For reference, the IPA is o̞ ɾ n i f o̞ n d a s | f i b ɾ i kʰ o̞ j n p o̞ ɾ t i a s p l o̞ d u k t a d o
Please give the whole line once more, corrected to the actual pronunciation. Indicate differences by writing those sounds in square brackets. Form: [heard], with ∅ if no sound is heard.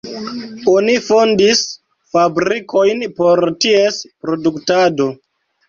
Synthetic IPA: o̞ [∅] n i f o̞ n d [i] s | f [a] b ɾ i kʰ o̞ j n p o̞ ɾ t i [e] s p [ɾ] o̞ d u k t a d o